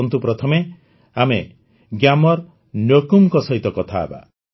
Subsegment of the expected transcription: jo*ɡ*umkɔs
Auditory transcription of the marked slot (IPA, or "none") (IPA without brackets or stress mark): k